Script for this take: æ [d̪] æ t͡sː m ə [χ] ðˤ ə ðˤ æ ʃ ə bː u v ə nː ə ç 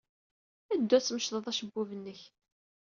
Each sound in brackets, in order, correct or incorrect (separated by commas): incorrect, incorrect